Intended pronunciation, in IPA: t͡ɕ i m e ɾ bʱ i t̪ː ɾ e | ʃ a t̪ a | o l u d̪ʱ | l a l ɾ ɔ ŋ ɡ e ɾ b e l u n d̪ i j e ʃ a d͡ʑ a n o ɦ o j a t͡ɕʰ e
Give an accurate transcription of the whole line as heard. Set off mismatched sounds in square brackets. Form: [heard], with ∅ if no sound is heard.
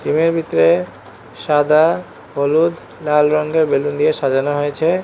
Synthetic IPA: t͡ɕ i m e ɾ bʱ i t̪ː ɾ e | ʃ a [d̪] a | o l u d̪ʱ | l a l ɾ ɔ ŋ ɡ e ɾ b e l u n d̪ i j e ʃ a d͡ʑ a n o ɦ o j [e] t͡ɕʰ e

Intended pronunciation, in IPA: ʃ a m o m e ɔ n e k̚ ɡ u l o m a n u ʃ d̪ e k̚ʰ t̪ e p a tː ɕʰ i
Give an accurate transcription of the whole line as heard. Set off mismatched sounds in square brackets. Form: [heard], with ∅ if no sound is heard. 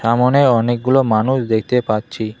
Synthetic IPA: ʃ a m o [n] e ɔ n e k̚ ɡ u l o m a n u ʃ d̪ e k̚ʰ t̪ e p a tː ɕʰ i

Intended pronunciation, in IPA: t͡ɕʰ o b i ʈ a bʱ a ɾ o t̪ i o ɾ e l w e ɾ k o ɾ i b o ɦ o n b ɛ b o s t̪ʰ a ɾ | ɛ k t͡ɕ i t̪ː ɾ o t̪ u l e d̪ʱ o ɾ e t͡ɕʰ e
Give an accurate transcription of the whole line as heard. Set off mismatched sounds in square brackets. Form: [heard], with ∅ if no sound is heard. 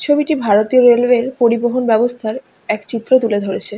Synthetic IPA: t͡ɕʰ o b i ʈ [i] bʱ a ɾ o t̪ i o ɾ e l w e ɾ [p] o ɾ i b o ɦ o n b ɛ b o s t̪ʰ a ɾ | ɛ k t͡ɕ i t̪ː ɾ o t̪ u l e d̪ʱ o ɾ e t͡ɕʰ e

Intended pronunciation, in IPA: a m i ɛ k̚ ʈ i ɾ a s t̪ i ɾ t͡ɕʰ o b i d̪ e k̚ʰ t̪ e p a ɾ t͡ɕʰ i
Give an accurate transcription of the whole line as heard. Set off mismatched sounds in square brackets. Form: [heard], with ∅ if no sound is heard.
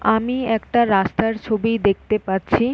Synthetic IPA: a m i ɛ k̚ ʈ [a] ɾ a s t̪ [a] ɾ t͡ɕʰ o b i d̪ e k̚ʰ t̪ e p a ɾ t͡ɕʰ i

